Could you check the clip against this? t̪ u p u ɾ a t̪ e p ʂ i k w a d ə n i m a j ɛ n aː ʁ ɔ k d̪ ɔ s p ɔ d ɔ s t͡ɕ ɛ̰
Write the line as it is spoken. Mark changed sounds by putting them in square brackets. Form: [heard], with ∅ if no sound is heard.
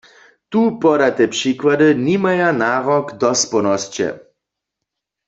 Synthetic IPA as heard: t̪ u p [ɔ] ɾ a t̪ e p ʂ i k w a d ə n i m a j [a] n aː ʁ ɔ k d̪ ɔ s p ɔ [n] ɔ s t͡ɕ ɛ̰